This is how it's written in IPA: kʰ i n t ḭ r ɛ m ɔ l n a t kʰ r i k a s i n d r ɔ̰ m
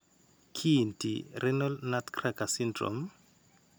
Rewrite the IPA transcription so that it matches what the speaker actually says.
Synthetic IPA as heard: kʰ i n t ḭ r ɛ n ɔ l n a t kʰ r a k a s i n d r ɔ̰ m